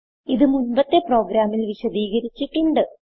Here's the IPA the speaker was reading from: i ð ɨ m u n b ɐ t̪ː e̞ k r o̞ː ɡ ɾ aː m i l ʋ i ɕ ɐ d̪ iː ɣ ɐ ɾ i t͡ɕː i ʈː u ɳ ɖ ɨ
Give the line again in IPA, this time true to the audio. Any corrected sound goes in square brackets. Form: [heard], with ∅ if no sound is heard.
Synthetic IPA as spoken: i ð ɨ m u n b ɐ t̪ː e̞ [p] r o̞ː ɡ ɾ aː m i l ʋ i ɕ ɐ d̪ iː ɣ ɐ ɾ i t͡ɕː i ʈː u ɳ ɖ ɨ